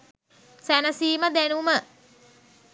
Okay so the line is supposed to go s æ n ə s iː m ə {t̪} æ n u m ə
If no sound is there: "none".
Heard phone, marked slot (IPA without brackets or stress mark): d̪